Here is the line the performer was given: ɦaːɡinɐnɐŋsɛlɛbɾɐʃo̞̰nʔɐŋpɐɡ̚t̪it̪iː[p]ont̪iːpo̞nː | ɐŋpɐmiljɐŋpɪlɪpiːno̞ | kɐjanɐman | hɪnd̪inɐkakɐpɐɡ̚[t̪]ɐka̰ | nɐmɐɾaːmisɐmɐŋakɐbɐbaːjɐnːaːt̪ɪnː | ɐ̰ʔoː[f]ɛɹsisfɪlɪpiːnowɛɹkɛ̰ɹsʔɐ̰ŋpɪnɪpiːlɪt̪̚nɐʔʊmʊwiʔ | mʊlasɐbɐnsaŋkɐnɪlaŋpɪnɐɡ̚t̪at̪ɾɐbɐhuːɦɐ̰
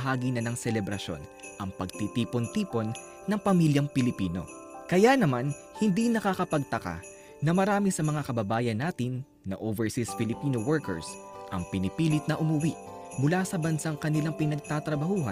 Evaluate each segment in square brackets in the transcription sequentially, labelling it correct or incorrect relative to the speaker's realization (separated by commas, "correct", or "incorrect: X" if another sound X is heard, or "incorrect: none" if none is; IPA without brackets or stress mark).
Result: correct, correct, incorrect: v